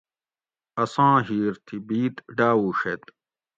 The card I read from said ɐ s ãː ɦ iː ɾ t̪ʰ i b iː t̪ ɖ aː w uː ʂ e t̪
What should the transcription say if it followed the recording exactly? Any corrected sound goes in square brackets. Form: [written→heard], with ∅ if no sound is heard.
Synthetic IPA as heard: ɐ s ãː ɦ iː ɾ t̪ʰ i b iː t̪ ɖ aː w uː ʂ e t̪

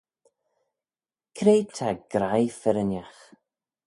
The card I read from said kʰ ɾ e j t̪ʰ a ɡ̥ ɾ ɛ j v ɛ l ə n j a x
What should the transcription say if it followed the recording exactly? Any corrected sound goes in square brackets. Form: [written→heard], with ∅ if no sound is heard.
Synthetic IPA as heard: kʰ ɾ e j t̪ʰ a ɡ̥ ɾ [ɛ→a] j [v→f] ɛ [l→ɾ] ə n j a x

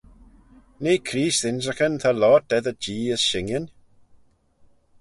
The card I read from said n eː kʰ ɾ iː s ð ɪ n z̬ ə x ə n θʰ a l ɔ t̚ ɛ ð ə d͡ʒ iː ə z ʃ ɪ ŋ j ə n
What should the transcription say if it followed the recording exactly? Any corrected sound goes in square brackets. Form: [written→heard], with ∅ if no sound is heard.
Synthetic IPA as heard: n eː kʰ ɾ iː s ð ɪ n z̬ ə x ə n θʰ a l ɔ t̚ ɛ ð ə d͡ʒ iː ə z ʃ ɪ ŋ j ə n

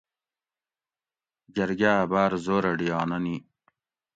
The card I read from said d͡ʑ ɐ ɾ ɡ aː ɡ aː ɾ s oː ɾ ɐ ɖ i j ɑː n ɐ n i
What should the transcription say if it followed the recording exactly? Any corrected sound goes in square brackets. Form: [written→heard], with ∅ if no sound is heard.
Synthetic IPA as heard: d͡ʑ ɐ ɾ ɡ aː [ɡ→b] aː ɾ [s→z] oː ɾ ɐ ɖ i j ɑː n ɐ n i

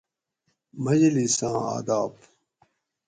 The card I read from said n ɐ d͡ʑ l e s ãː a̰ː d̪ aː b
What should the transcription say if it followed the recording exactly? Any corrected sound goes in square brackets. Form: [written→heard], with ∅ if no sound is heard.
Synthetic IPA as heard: [n→m] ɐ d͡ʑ l [e→i] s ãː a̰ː d̪ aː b

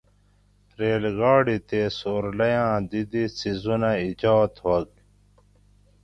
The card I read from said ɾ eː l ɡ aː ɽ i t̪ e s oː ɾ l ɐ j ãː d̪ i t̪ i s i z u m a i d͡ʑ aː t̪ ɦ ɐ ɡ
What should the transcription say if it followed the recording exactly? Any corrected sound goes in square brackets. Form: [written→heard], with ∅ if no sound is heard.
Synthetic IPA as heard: ɾ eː l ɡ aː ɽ i t̪ e s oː ɾ l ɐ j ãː d̪ i [t̪→d̪] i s i z u [m→n] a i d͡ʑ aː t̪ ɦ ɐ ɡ

